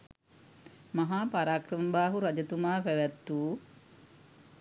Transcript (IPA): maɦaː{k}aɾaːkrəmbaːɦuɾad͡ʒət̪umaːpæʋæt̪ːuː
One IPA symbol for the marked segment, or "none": p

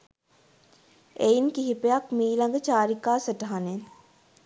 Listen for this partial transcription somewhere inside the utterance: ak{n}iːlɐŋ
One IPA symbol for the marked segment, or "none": m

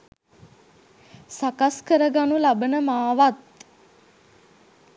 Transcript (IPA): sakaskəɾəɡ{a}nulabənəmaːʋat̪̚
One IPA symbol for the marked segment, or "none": a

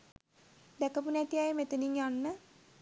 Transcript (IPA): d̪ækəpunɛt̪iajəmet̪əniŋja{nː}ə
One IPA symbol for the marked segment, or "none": nː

